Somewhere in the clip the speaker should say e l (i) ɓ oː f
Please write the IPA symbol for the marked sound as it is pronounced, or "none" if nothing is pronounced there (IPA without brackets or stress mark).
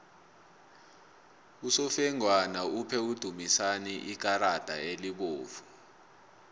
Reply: i